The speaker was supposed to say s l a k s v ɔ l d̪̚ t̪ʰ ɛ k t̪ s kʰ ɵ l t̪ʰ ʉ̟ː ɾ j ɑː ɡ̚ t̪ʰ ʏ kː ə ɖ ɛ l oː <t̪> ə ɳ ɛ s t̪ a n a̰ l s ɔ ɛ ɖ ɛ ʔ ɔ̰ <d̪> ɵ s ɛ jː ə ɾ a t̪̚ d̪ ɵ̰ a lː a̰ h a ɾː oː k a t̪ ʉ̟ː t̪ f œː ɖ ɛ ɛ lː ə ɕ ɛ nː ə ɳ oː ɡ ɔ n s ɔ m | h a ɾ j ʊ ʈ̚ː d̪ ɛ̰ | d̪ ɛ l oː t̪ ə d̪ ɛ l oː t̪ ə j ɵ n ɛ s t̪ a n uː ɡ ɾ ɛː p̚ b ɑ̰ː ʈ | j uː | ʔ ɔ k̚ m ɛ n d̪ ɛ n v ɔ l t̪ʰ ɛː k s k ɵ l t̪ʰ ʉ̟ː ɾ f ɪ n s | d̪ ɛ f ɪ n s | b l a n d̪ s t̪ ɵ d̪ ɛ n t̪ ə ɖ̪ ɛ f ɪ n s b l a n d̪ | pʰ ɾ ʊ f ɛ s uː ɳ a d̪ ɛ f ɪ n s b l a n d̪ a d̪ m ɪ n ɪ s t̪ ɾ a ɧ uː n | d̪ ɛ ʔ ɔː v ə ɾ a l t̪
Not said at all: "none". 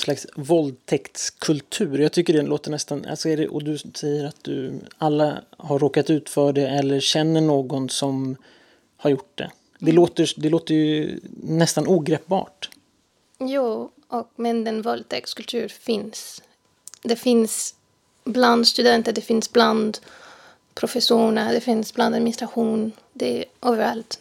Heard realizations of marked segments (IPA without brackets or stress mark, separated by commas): t̪, d̪